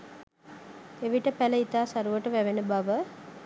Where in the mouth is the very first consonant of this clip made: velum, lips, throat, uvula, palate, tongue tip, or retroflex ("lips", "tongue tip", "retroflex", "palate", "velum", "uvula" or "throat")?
lips